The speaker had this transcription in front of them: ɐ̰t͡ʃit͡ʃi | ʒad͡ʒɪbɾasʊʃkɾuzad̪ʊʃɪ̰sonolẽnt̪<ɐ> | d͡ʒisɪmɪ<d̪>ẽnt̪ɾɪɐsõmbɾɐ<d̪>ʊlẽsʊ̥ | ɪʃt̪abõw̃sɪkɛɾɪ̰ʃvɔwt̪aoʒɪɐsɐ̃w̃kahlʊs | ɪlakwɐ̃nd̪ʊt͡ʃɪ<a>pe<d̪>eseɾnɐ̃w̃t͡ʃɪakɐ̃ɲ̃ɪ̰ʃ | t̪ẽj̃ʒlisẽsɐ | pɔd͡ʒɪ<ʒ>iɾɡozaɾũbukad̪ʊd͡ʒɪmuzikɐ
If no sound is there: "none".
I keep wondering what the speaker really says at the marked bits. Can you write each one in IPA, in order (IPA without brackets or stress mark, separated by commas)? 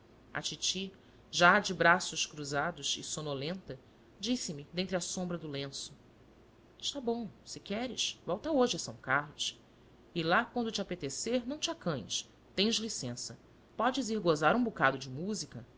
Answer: ɐ, d̪, d̪, a, t̪, z